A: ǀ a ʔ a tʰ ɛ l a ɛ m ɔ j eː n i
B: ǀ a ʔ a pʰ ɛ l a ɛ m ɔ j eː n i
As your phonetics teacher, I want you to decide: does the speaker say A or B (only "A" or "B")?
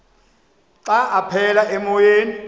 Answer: B